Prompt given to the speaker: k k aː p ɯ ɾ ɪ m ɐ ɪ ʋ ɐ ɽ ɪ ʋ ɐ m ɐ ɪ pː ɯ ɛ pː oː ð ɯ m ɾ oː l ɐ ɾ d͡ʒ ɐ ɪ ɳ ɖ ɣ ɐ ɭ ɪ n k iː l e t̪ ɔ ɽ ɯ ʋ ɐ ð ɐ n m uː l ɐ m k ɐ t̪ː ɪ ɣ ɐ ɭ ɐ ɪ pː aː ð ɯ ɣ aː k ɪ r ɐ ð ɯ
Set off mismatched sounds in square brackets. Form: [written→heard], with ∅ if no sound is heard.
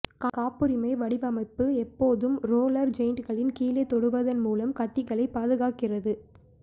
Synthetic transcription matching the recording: k k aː p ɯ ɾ ɪ m ɐ ɪ ʋ ɐ ɽ ɪ ʋ ɐ m ɐ ɪ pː ɯ ɛ pː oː ð ɯ m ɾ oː l ɐ ɾ d͡ʒ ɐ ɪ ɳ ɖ ɣ ɐ ɭ ɪ n k iː l e t̪ ɔ ɽ ɯ ʋ ɐ ð ɐ n m uː l ɐ m k ɐ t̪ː ɪ ɣ ɐ ɭ ɐ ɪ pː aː ð ɯ ɣ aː k ɪ r ɐ ð ɯ